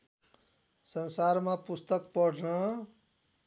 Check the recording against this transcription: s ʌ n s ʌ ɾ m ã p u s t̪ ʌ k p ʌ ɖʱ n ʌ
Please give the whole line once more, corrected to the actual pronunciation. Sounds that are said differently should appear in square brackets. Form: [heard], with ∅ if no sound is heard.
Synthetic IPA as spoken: s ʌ n s [a] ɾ m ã p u s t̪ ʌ k p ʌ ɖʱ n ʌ